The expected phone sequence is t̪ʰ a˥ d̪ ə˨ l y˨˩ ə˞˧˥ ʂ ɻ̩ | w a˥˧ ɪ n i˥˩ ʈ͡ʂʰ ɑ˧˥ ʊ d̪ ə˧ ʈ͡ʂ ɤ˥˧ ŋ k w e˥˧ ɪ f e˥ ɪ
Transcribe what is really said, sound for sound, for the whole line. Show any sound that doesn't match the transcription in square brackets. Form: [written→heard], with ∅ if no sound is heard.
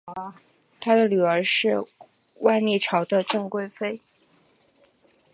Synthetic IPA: t̪ʰ a˥ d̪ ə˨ l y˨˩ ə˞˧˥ ʂ ɻ̩ | w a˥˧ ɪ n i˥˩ ʈ͡ʂʰ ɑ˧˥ ʊ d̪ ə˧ ʈ͡ʂ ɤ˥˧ ŋ k w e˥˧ ɪ f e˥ ɪ